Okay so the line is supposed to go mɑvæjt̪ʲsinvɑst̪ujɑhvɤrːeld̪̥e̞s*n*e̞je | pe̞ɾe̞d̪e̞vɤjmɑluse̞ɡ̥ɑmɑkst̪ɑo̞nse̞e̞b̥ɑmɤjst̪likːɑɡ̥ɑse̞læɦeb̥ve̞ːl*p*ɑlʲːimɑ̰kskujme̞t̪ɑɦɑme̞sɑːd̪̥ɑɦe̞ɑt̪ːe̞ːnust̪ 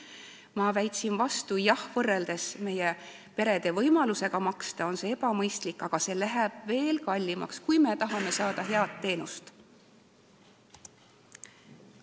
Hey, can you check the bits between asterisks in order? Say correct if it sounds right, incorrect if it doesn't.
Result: incorrect, incorrect

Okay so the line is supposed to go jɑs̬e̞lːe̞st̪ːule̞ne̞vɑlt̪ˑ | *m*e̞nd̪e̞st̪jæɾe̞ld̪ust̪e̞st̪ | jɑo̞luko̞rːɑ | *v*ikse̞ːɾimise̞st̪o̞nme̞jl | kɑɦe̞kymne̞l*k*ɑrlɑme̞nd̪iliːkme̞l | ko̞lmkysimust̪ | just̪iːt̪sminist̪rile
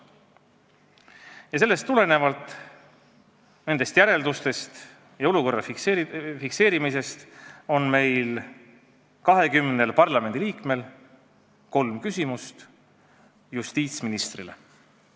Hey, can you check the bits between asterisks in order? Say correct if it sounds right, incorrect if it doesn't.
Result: incorrect, incorrect, incorrect

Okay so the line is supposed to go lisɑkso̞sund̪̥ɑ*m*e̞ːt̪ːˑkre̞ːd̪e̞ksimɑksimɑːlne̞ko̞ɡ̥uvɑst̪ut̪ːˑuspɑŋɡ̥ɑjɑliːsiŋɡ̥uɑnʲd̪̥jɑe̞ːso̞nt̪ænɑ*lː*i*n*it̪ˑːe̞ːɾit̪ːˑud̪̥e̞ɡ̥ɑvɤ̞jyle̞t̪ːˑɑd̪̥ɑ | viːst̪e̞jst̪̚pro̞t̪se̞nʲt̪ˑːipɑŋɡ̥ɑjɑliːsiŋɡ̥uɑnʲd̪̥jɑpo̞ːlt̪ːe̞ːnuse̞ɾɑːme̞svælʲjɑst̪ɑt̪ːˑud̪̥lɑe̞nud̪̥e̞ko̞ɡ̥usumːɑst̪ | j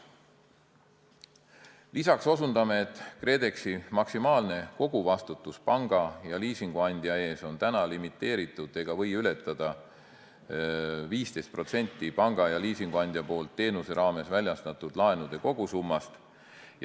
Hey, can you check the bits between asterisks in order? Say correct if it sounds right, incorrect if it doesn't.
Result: correct, incorrect, incorrect

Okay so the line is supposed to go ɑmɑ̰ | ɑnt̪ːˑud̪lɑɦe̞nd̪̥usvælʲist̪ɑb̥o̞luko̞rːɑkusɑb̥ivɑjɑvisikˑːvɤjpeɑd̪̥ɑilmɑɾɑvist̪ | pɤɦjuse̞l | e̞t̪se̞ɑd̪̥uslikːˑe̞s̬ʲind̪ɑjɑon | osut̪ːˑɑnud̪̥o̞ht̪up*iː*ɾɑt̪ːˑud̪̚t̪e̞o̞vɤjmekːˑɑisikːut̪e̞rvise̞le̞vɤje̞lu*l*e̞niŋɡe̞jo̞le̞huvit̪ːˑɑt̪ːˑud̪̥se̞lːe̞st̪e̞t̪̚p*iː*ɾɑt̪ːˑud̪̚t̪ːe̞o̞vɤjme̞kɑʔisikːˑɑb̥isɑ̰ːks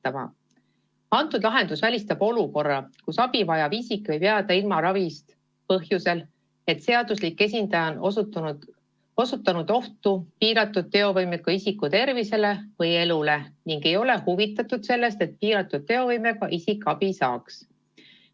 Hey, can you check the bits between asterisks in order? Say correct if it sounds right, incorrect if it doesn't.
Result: correct, correct, correct

